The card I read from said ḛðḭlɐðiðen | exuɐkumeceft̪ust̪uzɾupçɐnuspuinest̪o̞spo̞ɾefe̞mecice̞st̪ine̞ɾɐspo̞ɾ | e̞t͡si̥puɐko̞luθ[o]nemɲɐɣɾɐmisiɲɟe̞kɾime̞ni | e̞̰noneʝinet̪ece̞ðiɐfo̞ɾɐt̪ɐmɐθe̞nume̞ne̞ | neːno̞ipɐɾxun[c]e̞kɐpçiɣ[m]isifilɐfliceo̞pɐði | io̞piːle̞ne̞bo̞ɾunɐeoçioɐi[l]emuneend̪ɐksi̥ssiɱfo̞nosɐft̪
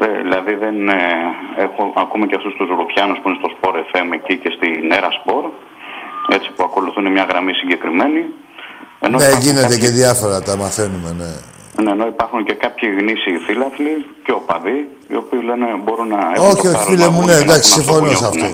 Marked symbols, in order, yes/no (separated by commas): no, yes, no, yes